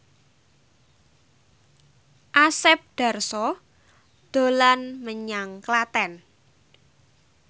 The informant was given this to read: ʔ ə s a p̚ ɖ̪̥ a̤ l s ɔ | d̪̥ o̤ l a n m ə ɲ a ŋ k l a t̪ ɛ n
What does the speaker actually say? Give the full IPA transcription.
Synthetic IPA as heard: ʔ a s ɛ p̚ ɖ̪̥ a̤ r s ɔ | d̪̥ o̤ l a n m ə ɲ a ŋ k l a t̪ ɛ n